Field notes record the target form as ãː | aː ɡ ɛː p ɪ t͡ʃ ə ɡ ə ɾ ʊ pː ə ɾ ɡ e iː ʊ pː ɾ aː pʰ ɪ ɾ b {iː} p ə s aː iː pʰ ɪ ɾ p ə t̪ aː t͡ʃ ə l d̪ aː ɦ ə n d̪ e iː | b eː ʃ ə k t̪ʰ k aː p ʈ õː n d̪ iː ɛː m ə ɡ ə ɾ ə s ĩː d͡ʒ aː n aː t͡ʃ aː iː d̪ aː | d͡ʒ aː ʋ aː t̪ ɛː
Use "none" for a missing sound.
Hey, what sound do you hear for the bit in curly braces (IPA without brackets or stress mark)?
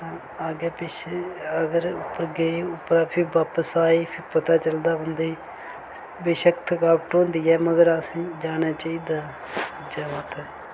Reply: aː